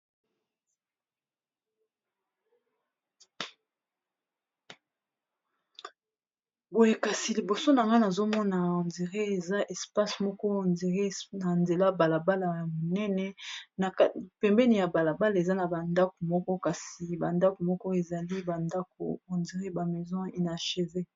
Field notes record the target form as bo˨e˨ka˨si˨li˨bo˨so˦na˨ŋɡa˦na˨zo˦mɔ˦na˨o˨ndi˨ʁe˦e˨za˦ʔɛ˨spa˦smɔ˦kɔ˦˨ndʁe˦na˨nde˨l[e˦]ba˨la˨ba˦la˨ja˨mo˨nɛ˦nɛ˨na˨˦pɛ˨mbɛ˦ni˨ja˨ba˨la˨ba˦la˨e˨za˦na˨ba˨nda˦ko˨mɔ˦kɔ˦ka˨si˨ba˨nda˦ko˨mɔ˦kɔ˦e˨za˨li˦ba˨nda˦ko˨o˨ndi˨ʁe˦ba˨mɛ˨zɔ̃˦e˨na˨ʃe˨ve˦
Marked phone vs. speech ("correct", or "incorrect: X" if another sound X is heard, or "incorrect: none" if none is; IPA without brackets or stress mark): incorrect: a˦